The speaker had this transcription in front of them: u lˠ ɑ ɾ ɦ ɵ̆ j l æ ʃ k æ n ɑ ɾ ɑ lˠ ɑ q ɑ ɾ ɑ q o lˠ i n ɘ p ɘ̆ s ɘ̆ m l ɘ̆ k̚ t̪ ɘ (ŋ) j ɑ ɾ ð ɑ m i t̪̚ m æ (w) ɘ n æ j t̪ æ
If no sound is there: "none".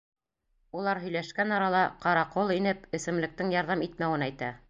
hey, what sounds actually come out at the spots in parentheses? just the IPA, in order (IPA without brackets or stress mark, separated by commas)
ŋ, w